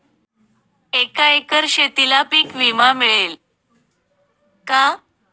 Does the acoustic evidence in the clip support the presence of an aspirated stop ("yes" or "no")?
no